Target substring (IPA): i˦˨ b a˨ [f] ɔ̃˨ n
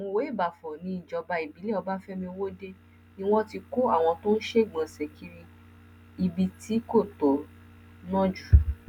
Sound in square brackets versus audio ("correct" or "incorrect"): correct